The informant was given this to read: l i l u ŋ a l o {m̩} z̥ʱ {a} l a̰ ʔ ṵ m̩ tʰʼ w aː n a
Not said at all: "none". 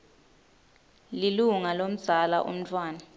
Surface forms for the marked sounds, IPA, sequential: m̩, a

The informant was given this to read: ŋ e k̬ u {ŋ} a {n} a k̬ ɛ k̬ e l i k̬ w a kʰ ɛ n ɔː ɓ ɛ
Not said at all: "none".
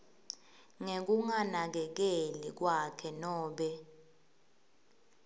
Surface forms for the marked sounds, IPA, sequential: ŋ, n

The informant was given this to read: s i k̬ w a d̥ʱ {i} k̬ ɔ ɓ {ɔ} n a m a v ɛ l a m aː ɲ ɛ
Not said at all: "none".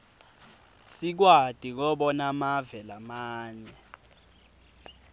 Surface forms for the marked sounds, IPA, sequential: i, ɔ

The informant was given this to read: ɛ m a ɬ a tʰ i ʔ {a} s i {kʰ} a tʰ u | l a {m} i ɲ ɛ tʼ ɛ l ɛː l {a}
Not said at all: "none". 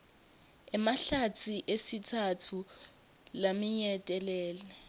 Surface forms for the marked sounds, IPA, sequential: e, tʰ, m, ɛ

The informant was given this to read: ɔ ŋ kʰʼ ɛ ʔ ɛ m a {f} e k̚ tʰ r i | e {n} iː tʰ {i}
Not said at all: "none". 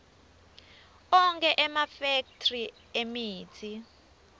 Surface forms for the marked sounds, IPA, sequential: f, m, i

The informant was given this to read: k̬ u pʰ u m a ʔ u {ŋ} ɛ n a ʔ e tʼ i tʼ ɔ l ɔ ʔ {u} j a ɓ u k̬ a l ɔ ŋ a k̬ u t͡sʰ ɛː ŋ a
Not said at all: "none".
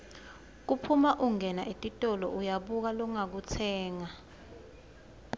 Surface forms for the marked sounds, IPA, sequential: ŋ, u

